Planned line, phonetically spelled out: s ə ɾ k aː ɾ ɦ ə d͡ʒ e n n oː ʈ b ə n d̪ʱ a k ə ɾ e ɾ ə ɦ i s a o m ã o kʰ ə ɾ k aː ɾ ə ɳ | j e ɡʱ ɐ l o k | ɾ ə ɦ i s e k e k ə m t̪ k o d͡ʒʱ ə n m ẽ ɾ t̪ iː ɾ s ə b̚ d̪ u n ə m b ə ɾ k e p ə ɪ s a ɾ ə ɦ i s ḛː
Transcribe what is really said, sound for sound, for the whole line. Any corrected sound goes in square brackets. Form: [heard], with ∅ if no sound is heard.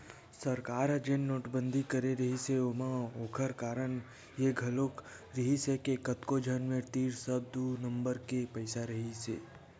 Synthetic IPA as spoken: s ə ɾ k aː ɾ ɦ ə d͡ʒ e n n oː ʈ b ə n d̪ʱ [i] k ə ɾ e ɾ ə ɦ i s [e] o m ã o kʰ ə ɾ k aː ɾ ə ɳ | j e ɡʱ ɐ l o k | ɾ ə ɦ i s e k e k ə [∅] t̪ k o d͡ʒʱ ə n m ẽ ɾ t̪ iː ɾ s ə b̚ d̪ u n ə m b ə ɾ k e p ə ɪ s a ɾ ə ɦ i s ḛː